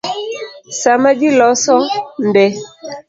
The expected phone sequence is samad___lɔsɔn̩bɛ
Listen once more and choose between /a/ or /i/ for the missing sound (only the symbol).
i